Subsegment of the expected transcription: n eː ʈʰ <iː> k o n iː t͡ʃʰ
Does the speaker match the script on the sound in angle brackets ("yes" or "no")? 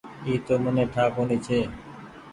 no